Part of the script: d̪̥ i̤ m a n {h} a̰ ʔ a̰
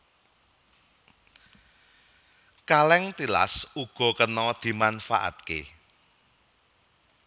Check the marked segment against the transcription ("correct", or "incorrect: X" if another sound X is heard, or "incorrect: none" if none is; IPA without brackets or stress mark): incorrect: f